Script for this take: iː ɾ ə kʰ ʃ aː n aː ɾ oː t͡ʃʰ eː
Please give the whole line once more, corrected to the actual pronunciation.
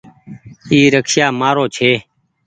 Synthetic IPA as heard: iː ɾ ə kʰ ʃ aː m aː ɾ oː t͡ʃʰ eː